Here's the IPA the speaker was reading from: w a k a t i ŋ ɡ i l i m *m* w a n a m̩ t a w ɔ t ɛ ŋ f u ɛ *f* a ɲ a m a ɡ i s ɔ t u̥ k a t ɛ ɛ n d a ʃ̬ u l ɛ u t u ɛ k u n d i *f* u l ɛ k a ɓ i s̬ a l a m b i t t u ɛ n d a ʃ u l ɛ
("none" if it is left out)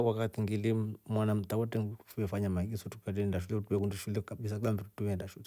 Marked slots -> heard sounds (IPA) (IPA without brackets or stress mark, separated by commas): m, f, ʃ